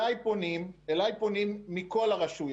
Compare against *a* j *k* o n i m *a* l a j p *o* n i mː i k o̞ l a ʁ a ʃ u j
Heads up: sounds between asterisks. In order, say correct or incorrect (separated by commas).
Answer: correct, incorrect, incorrect, correct